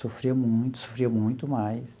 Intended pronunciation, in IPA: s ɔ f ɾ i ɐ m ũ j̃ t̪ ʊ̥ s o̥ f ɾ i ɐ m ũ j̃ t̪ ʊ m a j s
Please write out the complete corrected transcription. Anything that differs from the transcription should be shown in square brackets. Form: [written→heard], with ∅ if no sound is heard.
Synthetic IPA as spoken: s [ɔ→o] f ɾ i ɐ m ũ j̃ t̪ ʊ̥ s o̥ f ɾ i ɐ m ũ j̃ t̪ ʊ m a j s